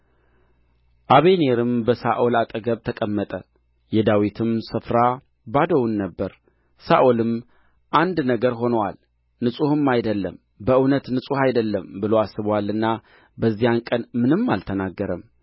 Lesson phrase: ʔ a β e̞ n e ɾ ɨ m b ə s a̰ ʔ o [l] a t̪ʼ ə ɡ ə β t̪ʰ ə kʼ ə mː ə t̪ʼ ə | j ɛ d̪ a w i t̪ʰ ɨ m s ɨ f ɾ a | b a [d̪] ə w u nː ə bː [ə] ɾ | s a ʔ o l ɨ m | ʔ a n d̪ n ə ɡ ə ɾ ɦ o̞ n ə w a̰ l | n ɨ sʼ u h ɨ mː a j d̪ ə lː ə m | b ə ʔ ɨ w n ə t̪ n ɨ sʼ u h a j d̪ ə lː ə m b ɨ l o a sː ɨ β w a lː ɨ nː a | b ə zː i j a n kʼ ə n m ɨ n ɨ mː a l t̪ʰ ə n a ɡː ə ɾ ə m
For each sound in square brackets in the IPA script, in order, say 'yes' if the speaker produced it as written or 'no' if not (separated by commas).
yes, yes, yes